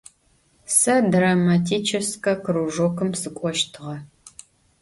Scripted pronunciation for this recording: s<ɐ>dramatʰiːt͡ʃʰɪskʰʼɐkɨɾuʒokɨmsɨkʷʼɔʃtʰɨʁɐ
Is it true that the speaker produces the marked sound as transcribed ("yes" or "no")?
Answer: yes